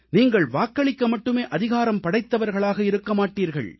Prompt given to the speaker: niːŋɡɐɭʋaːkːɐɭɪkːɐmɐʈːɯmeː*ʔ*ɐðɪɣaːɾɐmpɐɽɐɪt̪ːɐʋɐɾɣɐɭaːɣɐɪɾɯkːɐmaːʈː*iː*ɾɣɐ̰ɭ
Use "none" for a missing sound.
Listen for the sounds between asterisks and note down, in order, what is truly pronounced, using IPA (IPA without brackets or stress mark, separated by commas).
ʔ, iː